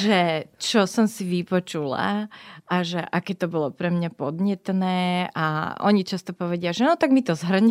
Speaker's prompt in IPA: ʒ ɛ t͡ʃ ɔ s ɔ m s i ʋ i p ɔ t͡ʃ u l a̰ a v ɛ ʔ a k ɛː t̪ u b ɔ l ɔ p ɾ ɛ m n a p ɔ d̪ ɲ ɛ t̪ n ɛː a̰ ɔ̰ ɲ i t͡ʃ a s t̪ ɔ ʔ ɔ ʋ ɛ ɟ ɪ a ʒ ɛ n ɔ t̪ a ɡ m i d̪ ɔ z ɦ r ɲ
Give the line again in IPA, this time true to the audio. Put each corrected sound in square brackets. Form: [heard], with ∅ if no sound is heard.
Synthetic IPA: ʒ ɛ t͡ʃ ɔ s ɔ m s i ʋ i p ɔ t͡ʃ u l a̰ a [ʒ] ɛ ʔ a k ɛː t̪ [ɔ] b ɔ l ɔ p ɾ ɛ m [ɲ] a p ɔ d̪ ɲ ɛ t̪ n ɛː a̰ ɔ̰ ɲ i t͡ʃ a s t̪ ɔ [p] ɔ ʋ ɛ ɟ ɪ a ʒ ɛ n ɔ t̪ a ɡ m i [t̪] ɔ z ɦ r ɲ